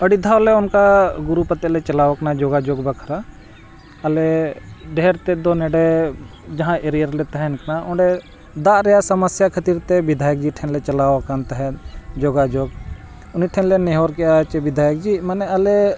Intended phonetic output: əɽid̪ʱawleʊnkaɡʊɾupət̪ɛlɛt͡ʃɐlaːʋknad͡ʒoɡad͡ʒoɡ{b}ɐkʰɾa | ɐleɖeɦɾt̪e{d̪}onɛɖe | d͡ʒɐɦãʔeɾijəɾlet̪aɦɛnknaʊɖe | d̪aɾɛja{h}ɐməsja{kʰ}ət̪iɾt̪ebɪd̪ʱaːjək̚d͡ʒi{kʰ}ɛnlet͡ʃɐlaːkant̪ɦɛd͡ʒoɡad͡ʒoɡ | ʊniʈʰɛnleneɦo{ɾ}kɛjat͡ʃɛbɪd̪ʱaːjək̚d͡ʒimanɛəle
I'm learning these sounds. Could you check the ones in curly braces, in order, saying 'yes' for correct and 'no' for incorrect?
yes, yes, no, yes, no, yes

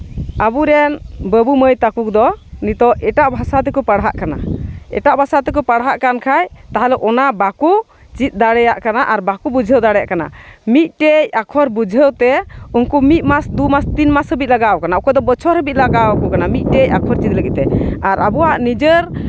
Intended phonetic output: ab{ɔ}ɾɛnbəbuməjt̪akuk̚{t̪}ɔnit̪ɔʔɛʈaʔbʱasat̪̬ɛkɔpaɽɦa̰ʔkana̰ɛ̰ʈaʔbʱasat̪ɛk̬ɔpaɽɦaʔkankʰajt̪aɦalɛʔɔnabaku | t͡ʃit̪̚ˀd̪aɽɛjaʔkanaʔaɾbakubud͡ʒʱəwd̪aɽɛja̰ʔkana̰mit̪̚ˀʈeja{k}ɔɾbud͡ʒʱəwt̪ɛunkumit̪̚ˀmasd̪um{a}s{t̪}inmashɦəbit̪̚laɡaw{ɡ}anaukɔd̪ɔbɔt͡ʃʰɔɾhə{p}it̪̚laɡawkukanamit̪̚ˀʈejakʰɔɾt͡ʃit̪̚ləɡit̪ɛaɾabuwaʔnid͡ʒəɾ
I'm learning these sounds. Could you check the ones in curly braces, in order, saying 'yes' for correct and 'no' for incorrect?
no, no, no, yes, yes, no, no

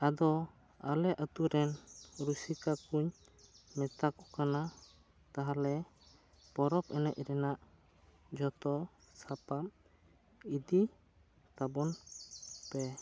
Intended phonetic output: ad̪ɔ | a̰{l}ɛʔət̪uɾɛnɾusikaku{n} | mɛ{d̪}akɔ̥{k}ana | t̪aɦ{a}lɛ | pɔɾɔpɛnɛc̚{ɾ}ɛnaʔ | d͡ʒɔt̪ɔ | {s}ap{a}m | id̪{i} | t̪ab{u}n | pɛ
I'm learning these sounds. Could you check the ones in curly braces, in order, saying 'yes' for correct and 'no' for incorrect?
yes, no, no, yes, yes, yes, yes, yes, yes, no

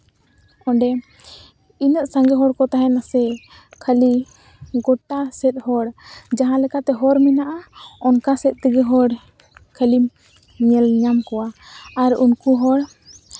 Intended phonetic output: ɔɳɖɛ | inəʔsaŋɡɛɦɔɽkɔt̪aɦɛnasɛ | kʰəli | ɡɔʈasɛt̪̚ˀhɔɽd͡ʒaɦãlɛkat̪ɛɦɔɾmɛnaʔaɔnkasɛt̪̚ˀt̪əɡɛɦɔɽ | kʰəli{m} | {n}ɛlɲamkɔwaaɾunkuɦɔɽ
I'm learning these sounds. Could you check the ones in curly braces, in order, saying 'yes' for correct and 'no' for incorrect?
yes, no

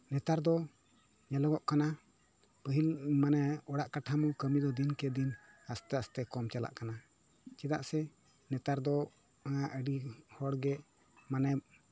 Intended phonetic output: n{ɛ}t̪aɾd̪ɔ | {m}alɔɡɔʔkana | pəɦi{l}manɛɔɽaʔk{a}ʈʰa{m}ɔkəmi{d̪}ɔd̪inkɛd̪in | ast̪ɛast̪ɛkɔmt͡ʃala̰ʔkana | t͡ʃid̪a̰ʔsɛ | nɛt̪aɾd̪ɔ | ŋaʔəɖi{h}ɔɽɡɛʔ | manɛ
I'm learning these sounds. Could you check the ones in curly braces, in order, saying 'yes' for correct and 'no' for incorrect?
yes, no, yes, yes, yes, yes, yes

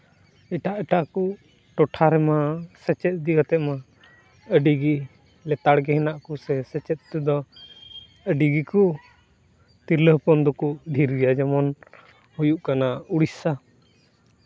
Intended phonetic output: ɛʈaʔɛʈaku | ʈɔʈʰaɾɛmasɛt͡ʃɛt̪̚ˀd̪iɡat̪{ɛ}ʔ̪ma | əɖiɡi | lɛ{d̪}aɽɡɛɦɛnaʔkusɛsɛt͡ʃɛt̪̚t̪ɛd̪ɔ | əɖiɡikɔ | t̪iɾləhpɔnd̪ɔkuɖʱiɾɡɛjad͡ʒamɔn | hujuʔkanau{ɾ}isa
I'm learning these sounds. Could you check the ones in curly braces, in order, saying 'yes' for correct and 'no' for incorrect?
yes, no, no

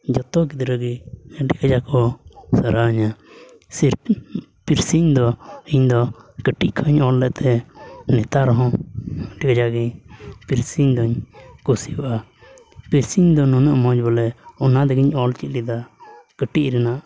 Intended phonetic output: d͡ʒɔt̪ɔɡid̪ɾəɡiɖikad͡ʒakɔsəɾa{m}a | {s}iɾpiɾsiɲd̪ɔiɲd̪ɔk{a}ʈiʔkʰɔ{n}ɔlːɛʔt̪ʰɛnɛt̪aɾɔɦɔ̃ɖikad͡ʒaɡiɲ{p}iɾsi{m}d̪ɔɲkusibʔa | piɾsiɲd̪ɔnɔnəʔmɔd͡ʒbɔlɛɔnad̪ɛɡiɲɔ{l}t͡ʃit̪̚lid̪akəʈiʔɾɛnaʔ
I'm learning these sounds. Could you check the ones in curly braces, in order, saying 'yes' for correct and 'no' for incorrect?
no, yes, no, no, yes, no, yes

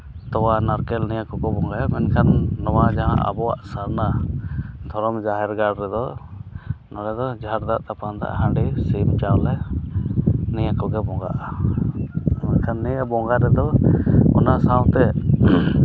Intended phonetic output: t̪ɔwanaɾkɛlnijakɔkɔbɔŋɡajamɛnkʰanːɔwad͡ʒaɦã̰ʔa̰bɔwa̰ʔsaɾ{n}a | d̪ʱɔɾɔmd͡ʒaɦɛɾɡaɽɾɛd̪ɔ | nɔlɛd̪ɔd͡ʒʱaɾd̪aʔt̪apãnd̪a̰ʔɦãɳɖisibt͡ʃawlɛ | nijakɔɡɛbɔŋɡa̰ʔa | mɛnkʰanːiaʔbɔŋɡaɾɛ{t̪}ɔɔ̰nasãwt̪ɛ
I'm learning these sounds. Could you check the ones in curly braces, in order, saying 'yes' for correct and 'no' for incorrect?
yes, no

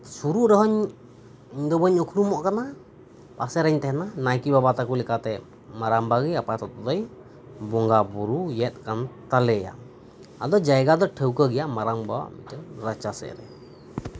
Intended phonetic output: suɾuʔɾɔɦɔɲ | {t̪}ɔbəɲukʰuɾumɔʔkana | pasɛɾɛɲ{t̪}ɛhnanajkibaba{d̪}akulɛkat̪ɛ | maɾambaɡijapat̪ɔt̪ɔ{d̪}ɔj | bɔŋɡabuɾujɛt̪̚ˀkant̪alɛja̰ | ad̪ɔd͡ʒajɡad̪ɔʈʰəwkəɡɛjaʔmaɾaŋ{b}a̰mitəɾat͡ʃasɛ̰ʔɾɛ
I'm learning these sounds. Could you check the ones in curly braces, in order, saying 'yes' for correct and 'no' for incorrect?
no, yes, no, yes, yes

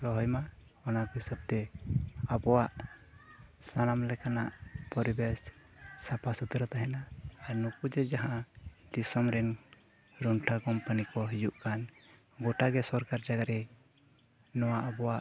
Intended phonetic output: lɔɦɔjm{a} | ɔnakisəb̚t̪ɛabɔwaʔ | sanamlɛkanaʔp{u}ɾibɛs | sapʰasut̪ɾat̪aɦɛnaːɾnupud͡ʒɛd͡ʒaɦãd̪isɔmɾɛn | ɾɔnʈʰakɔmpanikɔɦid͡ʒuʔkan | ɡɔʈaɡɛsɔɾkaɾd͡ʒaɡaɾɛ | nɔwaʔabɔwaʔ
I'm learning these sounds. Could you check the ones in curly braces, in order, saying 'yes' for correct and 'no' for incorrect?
yes, no

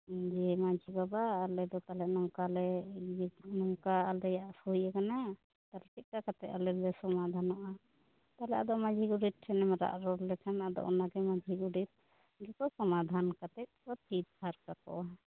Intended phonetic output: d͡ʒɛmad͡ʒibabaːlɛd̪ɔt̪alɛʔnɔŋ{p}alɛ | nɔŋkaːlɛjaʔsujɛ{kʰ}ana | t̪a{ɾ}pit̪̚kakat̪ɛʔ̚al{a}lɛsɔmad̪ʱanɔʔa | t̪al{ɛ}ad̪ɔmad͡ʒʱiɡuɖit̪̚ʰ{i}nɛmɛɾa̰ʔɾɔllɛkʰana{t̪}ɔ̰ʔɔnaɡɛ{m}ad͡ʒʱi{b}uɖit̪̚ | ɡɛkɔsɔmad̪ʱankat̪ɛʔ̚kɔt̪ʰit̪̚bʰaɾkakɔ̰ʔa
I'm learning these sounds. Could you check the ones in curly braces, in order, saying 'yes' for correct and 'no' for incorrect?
no, no, no, no, yes, no, no, yes, no

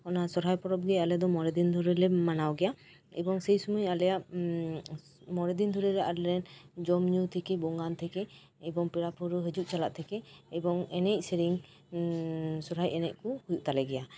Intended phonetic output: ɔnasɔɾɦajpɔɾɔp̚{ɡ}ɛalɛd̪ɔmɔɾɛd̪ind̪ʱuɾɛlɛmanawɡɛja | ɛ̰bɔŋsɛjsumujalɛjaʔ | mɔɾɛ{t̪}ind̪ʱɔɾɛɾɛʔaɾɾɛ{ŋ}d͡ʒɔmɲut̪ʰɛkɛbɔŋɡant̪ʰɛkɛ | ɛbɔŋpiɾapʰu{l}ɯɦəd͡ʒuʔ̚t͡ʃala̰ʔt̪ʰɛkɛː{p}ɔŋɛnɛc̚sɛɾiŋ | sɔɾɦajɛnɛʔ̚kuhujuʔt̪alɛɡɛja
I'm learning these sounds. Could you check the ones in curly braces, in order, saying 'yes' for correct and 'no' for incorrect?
yes, no, no, no, no

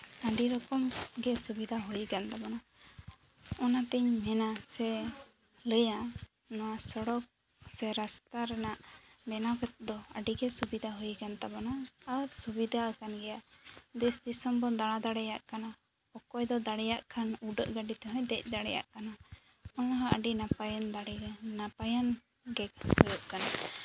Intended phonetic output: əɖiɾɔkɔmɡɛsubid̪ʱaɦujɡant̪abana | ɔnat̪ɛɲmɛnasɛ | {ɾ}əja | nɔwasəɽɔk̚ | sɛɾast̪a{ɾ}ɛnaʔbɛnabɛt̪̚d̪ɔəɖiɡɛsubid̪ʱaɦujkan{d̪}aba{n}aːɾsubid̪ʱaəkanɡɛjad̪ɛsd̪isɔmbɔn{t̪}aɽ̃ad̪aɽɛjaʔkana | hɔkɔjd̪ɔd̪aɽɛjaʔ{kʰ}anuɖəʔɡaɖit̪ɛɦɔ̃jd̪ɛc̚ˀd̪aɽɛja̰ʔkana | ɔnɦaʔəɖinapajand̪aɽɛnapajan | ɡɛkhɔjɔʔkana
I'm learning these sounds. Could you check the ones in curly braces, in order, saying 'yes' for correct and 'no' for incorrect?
no, yes, no, yes, no, yes

